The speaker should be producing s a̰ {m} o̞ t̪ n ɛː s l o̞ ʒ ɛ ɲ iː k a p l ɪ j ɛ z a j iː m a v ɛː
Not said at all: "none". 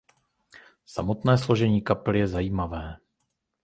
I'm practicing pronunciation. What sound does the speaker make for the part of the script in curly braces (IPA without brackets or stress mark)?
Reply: m